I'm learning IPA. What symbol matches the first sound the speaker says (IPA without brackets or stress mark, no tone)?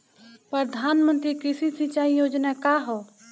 p